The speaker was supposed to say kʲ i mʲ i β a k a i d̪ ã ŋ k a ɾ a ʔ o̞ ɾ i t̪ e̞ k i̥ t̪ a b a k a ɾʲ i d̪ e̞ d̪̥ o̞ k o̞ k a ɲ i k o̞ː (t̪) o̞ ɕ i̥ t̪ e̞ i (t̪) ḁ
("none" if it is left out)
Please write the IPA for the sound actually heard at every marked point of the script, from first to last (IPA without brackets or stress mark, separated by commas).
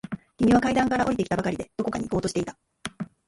t̪, t̪